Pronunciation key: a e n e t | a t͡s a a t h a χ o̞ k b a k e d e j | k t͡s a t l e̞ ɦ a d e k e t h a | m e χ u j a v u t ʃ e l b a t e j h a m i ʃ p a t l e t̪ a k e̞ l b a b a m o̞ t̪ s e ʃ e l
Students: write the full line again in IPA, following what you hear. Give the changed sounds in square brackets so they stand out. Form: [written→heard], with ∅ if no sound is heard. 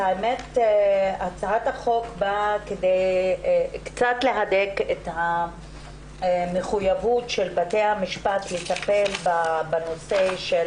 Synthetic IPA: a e [n→m] e t | a t͡s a a t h a χ o̞ k b a k e d e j | k t͡s a t l e̞ ɦ a d e k e t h a | m e χ u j a v u t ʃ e l b a t e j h a m i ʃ p a t l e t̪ a [k→p] e̞ l b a b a [m→n] o̞ [t̪→∅] s e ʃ e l